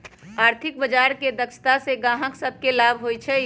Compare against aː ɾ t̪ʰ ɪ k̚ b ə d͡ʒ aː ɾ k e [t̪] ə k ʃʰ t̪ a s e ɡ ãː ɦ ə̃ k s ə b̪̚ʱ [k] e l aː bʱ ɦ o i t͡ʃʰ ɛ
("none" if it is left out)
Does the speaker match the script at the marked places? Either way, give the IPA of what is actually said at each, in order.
d̪, k

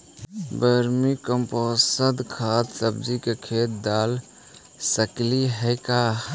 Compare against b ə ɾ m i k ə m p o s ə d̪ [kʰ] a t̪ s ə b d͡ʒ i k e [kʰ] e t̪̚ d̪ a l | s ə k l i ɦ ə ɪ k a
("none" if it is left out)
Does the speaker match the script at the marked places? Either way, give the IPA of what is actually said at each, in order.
kʰ, kʰ

